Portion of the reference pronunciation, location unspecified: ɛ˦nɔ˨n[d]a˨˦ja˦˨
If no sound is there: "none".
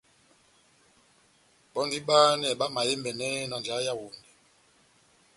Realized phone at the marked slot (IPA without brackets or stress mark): d͡ʒ